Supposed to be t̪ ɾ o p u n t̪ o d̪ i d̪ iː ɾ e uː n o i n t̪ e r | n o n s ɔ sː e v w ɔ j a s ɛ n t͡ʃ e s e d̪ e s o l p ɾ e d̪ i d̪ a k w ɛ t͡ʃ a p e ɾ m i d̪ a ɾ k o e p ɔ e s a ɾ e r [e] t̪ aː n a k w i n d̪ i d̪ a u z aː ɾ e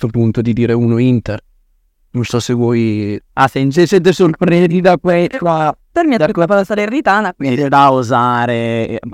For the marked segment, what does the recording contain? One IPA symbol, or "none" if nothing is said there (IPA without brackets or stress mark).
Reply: i